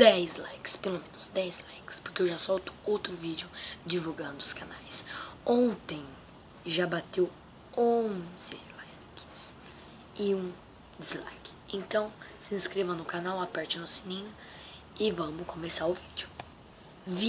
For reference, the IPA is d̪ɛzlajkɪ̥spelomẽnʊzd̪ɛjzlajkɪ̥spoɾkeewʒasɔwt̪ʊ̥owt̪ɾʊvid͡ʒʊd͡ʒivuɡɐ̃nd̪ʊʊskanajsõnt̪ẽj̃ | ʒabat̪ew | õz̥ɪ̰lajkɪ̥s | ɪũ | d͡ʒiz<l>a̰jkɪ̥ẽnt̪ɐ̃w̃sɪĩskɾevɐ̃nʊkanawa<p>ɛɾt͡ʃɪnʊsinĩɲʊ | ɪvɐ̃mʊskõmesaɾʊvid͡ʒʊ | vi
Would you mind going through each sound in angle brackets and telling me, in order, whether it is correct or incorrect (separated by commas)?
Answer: correct, correct